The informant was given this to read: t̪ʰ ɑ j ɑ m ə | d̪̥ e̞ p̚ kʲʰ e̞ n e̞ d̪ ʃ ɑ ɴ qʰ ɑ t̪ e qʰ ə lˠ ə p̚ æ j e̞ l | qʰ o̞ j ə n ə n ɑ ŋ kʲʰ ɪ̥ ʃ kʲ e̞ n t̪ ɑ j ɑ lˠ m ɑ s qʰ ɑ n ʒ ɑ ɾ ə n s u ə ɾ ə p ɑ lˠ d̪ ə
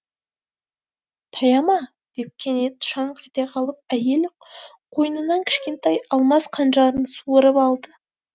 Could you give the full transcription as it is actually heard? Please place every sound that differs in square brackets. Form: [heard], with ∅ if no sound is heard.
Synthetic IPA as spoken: t̪ʰ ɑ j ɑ m [ɑ] | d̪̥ e̞ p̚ kʲʰ e̞ n e̞ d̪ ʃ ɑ ɴ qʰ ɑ t̪ e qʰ [ɑ] lˠ ə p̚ æ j e̞ l | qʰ o̞ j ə n ə n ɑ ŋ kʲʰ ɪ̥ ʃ kʲ e̞ n t̪ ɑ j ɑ lˠ m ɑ s qʰ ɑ n ʒ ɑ ɾ ə n s u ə ɾ ə p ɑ lˠ d̪ ə

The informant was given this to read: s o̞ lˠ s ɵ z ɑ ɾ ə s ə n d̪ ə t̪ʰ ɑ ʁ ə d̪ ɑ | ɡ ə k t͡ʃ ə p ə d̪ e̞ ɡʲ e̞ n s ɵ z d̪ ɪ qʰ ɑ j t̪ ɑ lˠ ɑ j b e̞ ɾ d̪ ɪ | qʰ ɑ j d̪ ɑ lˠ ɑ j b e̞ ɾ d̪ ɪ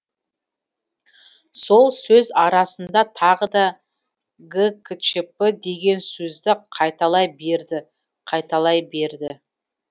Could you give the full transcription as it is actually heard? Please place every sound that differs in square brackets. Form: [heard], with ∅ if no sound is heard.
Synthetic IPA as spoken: s o̞ lˠ s ɵ z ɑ ɾ [ɑ] s ə n d̪ [ɑ] t̪ʰ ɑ ʁ ə d̪ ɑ | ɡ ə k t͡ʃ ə p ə d̪ e̞ ɡʲ e̞ n s ɵ z d̪ ɪ qʰ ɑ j t̪ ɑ lˠ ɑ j b e̞ ɾ d̪ ɪ | qʰ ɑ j [t̪] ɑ lˠ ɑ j b e̞ ɾ d̪ ɪ

